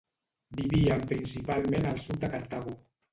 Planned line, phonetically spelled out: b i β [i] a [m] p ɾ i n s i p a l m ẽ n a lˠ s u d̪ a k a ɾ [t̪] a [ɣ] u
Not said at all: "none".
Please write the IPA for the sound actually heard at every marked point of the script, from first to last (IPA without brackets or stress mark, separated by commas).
i, m, t̪, ɣ